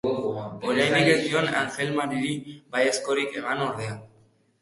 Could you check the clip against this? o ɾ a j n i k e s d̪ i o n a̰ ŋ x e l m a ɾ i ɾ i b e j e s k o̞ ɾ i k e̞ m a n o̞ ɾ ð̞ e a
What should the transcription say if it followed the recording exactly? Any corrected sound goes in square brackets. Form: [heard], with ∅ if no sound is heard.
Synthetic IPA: o ɾ a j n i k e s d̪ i o n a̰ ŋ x e l m a ɾ i ɾ i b [a] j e s k o̞ ɾ i k e̞ m a n o̞ ɾ ð̞ e a